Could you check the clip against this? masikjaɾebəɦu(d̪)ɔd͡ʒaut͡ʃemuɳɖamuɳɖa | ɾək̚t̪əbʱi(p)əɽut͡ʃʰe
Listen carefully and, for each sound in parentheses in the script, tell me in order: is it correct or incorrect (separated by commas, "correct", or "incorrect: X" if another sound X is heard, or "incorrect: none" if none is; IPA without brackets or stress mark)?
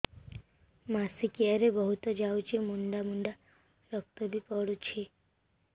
incorrect: t̪, correct